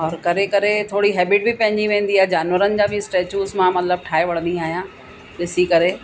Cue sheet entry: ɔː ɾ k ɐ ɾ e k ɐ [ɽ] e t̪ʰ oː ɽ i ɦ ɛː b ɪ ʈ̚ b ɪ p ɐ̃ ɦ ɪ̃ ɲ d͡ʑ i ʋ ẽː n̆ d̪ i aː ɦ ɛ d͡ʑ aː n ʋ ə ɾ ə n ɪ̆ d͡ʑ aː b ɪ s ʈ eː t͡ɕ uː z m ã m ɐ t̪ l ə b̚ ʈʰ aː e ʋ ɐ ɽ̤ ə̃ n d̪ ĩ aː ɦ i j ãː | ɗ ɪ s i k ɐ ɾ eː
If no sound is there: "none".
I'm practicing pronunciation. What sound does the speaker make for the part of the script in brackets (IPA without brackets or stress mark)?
ɾ